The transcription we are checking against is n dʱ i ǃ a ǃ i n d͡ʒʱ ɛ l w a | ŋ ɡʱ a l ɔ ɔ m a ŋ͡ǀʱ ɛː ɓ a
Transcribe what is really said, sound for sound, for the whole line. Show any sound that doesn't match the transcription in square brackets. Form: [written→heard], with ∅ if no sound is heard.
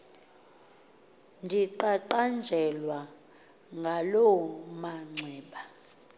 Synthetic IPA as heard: n dʱ i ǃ a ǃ [i→a] n d͡ʒʱ ɛ l w a | ŋ ɡʱ a l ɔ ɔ m a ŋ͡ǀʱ ɛː ɓ a